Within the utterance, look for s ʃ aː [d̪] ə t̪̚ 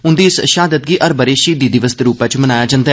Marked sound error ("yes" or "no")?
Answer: no